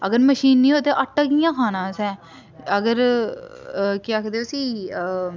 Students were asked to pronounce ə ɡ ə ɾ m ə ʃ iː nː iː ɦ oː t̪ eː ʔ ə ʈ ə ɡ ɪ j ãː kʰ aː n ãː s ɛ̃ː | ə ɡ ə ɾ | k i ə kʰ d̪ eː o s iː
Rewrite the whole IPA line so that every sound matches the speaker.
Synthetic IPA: ə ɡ ə ɾ m ə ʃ iː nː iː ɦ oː t̪ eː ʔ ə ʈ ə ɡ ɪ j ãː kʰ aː n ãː s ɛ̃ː | ə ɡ ə ɾ | k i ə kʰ d̪ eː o s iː